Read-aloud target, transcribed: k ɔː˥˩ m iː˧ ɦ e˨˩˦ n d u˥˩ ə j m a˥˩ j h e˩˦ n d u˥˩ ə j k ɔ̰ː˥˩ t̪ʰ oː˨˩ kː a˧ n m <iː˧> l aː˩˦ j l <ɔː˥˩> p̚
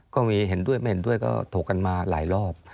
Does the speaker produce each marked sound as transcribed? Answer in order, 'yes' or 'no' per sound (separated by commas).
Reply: no, yes